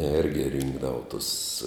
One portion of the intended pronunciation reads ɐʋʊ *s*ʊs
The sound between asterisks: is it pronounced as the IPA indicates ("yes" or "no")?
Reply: no